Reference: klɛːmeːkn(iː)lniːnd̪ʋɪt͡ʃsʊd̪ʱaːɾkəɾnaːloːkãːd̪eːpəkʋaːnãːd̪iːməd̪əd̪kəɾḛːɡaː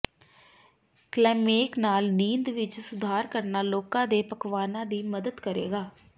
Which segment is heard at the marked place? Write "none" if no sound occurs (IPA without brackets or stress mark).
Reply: aː